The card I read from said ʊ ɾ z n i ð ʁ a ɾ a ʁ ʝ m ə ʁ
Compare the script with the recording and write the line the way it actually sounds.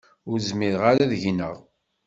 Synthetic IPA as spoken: ʊ ɾ z m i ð ʁ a ɾ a ð ʝ n ə ʁ